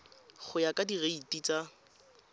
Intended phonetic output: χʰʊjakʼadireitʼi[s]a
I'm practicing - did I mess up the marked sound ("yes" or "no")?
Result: yes